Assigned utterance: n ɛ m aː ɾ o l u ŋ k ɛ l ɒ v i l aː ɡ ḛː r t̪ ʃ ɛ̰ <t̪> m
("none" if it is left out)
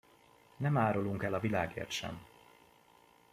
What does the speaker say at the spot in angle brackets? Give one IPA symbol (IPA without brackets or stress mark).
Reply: none